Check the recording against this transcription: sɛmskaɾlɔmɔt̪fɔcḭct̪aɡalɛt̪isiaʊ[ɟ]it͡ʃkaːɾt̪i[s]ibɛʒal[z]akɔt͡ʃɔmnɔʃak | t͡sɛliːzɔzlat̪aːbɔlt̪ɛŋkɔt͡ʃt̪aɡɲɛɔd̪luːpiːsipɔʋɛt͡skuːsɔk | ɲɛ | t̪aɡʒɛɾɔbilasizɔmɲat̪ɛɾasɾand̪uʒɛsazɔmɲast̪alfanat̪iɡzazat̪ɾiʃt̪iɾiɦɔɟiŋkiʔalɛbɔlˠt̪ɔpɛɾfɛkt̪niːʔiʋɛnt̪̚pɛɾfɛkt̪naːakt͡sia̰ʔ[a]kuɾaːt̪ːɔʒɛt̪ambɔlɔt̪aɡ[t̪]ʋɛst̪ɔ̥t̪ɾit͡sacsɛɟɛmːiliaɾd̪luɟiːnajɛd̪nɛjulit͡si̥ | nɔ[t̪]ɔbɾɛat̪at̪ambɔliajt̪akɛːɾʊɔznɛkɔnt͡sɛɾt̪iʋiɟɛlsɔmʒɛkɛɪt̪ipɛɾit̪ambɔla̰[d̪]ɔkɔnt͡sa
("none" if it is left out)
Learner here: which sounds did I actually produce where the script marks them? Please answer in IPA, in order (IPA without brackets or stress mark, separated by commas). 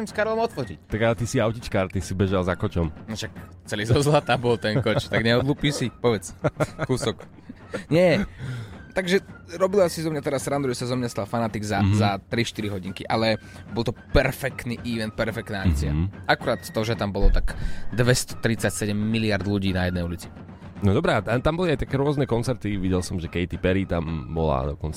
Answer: c, s, z, a, d̪, d̪, d̪